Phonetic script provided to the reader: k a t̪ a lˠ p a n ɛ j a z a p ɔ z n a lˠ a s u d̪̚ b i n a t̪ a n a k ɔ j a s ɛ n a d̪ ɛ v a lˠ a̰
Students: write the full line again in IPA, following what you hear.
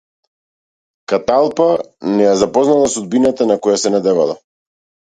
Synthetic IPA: k a t̪ a lˠ p a n ɛ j a z a p ɔ z n a lˠ a s u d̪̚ b i n a t̪ a n a k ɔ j a s ɛ n a d̪ ɛ v a lˠ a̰